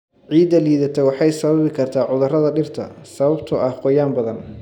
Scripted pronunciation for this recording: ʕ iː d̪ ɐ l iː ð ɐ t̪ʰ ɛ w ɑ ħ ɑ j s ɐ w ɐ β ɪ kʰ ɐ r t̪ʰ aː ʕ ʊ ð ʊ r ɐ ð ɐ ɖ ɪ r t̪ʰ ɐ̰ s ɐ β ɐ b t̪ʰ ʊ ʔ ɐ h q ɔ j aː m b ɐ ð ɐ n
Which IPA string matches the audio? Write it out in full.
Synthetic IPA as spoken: ʕ iː d̪ ɐ l iː ð ɐ t̪ʰ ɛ w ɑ ħ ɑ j s ɐ β ɐ β ɪ kʰ ɐ r t̪ʰ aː ʕ ʊ ð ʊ r ɐ ð ɐ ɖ ɪ r t̪ʰ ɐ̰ s ɐ β ɐ b t̪ʰ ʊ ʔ ɐ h q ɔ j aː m b ɐ ð ɐ n

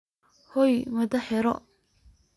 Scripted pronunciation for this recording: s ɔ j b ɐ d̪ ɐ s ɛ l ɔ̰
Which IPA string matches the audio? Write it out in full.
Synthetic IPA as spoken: h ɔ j m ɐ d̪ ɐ ħ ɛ ɾ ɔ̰

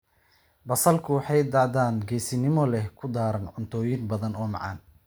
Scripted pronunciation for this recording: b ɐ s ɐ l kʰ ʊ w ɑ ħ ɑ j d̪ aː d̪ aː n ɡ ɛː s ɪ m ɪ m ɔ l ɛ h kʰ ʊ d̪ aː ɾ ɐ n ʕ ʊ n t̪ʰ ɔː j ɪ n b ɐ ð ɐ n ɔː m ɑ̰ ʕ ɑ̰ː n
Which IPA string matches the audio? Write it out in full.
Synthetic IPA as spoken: b ɐ s ɐ l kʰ ʊ w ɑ ħ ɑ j d̪ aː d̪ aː n ɡ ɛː s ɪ n ɪ m ɔ l ɛ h kʰ ʊ d̪ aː ɾ ɐ n ʕ ʊ n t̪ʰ ɔː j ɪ n b ɐ ð ɐ n ɔː m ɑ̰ ʕ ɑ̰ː n

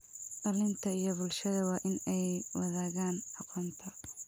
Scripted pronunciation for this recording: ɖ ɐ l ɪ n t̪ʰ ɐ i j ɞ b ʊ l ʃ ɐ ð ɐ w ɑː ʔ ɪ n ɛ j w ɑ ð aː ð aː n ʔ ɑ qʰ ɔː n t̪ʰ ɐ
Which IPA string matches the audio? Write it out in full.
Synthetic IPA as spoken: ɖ ɐ l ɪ n t̪ʰ ɐ i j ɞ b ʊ l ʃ ɐ ð ɐ w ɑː ʔ ɪ n ɛ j w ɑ ð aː ɣ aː n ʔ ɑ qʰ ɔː n t̪ʰ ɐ

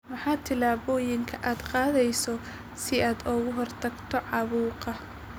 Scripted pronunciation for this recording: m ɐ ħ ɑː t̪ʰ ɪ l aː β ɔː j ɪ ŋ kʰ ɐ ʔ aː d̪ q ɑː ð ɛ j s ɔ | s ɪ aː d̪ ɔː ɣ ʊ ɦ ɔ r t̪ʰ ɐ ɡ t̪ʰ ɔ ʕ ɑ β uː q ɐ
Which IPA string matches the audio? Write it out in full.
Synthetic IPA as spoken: m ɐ ħ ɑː t̪ʰ ɪ l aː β ɔː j ɪ ŋ kʰ ɐ ʔ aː d̪ q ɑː ð ɛ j s ɔ | s ɪ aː d̪ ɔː ɣ ʊ ɦ ɔ r t̪ʰ ɐ ɡ t̪ʰ ɔ ʕ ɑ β uː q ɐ

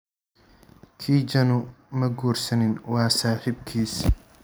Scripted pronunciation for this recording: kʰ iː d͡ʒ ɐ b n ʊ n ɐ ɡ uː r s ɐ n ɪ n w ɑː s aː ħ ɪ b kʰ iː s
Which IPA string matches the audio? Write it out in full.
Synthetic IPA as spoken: kʰ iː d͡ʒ ɐ n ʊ m ɐ ɡ uː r s ɐ n ɪ n w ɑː s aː ħ ɪ b kʰ iː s

